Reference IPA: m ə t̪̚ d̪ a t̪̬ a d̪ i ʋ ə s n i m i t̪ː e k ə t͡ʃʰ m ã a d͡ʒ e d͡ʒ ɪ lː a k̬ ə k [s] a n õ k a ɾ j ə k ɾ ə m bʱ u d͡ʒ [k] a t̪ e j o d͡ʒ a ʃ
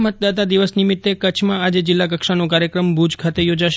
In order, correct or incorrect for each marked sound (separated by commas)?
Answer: incorrect, incorrect